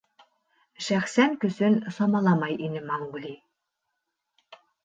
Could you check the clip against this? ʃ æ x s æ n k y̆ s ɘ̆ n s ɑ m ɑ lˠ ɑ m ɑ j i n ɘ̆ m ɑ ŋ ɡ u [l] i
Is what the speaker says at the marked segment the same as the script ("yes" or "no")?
yes